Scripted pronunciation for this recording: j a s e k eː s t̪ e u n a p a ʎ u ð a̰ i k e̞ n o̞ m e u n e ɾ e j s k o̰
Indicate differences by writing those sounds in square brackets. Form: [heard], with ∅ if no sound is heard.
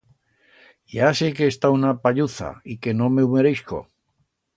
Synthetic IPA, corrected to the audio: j a s e k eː s t̪ [a] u n a p a ʎ u [θ] a̰ i k e̞ n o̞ m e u [m] e ɾ e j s k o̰